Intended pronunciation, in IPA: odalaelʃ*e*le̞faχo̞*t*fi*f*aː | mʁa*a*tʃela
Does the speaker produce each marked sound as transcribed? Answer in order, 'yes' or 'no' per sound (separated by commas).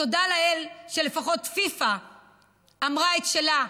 yes, yes, yes, no